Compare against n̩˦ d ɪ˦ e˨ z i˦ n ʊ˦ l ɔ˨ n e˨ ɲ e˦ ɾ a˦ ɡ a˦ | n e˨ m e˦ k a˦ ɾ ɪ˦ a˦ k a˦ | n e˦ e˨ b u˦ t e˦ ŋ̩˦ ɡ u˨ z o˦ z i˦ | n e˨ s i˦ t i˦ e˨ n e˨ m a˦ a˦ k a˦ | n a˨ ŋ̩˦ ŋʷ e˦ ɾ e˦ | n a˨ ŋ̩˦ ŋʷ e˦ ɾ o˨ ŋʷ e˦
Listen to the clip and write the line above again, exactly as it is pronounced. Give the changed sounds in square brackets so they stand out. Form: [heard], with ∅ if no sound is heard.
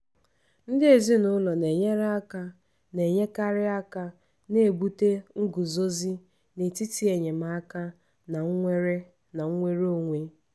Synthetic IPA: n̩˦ d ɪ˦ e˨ z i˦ n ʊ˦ l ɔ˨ n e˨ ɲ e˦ ɾ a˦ [k] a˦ | n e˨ [ɲ] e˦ k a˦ ɾ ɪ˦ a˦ k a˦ | n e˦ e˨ b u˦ t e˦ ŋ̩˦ ɡ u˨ z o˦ z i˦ | n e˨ [t] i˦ t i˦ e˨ [ɲ] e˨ m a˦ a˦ k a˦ | n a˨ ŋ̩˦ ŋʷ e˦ ɾ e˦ | n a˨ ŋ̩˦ ŋʷ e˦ ɾ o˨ ŋʷ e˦